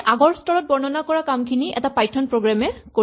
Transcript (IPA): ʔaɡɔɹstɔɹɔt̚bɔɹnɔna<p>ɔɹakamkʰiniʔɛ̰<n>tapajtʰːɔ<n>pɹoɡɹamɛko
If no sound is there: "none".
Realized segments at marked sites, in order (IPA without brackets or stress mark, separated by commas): k, none, n